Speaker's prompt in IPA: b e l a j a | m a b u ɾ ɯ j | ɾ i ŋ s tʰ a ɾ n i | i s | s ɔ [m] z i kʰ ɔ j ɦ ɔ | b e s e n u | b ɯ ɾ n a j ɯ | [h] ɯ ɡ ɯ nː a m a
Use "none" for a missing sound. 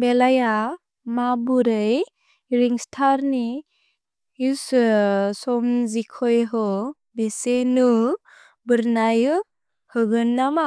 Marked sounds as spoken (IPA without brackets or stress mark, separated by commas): m, h